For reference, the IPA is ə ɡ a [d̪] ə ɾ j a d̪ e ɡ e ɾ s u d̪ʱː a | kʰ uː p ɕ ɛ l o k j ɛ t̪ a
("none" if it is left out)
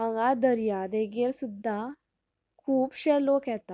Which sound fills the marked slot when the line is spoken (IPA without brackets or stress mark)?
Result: d̪